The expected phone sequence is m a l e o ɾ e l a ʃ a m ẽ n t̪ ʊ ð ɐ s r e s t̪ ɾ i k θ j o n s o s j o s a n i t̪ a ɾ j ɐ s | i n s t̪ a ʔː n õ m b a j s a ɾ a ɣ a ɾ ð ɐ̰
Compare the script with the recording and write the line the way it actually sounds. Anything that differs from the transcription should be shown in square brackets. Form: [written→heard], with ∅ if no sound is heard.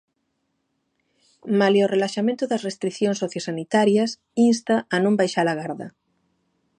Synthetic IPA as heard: m a l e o [ɾ→r] e l a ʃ a m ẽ n t̪ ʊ ð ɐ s r e s t̪ ɾ i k θ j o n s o [s→θ] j o s a n i t̪ a ɾ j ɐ s | i n s t̪ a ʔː n õ m b a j [s→ʃ] a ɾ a ɣ a ɾ ð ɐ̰